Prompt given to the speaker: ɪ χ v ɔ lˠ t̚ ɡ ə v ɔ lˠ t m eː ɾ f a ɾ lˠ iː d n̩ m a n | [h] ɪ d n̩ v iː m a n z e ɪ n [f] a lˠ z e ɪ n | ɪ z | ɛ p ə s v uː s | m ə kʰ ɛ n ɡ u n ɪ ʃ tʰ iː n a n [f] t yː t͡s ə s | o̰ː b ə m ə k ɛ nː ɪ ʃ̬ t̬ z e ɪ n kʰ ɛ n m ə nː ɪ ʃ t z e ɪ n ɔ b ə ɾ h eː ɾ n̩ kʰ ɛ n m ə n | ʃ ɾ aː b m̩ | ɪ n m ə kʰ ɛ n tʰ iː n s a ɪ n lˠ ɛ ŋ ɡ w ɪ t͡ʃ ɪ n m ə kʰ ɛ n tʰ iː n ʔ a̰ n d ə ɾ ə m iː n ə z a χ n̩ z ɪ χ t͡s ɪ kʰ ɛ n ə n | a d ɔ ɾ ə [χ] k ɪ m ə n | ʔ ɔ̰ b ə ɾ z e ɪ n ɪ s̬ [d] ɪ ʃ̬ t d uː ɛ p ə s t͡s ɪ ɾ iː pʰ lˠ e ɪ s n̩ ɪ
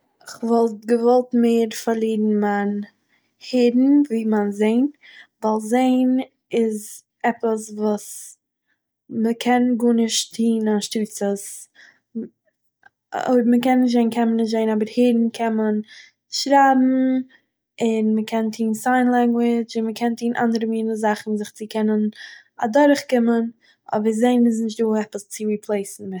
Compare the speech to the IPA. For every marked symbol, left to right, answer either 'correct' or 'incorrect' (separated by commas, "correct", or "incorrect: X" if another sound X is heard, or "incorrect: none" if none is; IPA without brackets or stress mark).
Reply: correct, incorrect: v, incorrect: ʃ, correct, incorrect: n